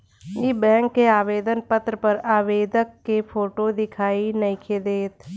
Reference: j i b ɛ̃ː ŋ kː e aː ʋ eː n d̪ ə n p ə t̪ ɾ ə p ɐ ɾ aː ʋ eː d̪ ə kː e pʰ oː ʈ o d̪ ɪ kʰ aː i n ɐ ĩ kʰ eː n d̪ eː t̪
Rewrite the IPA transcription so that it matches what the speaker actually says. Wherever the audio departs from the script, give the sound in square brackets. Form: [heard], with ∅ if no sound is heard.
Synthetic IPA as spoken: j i b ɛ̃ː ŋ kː e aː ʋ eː [∅] d̪ ə n p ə t̪ ɾ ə p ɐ ɾ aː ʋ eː d̪ ə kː e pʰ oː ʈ o d̪ ɪ kʰ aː i n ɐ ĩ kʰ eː [∅] d̪ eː t̪